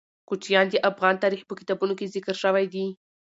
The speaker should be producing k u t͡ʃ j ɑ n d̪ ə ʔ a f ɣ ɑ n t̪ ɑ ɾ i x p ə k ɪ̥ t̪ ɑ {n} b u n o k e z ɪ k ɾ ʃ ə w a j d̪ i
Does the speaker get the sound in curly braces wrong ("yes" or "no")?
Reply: yes